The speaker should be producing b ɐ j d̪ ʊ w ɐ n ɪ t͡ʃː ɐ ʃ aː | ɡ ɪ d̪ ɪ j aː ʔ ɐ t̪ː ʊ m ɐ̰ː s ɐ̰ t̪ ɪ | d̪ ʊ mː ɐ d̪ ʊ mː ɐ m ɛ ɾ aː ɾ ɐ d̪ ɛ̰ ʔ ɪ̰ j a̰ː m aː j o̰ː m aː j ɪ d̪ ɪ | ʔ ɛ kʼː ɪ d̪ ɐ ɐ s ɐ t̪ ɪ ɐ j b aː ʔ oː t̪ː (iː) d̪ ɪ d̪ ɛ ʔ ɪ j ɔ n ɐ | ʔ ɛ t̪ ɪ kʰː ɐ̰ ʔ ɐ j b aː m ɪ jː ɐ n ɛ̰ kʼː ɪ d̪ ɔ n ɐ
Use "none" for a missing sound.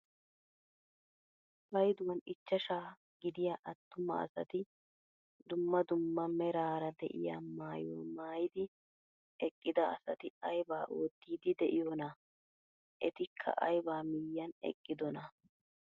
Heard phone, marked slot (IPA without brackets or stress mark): iː